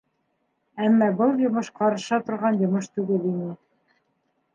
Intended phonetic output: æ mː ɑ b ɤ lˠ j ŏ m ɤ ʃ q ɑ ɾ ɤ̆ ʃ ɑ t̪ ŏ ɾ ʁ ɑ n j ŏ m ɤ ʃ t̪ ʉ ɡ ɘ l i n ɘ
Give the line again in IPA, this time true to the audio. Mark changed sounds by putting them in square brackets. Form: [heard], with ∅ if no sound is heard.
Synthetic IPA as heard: æ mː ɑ b ɤ lˠ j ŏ m ɤ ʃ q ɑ ɾ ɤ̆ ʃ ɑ t̪ ŏ ɾ ʁ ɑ n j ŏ m ɤ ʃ t̪ ʉ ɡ ɘ l i n ɘ